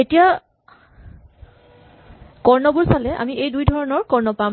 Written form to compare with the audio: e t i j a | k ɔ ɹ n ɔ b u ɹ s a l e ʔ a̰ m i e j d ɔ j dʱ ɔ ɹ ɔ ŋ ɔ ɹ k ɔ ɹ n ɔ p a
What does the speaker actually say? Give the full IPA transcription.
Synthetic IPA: e t i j a | k ɔ ɹ n ɔ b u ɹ s a l ɛ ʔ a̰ m i e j d u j dʱ ɔ ɹ ɔ n ɔ ɹ k ɔ ɹ n ɔ p a